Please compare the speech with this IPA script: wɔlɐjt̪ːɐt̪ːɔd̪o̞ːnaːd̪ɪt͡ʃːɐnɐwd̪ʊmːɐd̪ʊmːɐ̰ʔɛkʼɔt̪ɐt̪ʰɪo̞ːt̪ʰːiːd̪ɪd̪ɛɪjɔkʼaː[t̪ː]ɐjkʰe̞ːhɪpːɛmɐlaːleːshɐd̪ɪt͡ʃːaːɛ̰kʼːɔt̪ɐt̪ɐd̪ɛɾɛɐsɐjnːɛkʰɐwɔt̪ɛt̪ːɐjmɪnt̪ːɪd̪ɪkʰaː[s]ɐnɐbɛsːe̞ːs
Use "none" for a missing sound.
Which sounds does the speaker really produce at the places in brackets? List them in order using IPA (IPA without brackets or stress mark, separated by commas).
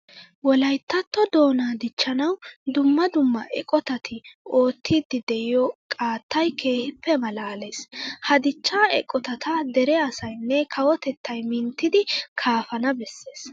t̪ː, f